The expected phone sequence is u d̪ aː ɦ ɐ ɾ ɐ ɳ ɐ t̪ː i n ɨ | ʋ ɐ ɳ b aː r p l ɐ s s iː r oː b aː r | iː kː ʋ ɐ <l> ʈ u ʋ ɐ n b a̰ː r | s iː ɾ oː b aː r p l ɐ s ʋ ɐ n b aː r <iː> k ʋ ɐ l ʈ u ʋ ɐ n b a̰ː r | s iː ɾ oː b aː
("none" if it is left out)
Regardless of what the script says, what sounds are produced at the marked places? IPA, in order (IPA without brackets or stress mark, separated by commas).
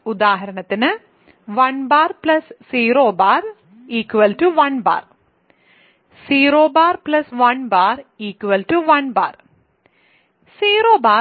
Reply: l, iː